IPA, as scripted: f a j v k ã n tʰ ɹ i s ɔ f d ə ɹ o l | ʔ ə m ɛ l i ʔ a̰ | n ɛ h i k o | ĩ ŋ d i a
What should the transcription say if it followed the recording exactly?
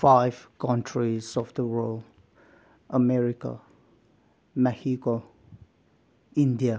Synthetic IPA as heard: f a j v k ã n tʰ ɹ i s ɔ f d ə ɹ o l | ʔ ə m ɛ ɹ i k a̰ | m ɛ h i k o | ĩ n d i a